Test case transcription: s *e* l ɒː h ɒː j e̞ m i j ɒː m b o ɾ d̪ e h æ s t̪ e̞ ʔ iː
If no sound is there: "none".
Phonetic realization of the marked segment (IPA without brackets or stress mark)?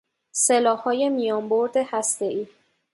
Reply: e